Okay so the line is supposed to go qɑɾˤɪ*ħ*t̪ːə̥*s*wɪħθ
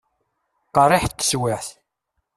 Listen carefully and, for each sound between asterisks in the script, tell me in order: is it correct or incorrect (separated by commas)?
correct, correct